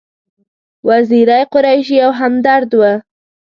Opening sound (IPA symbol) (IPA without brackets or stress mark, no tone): w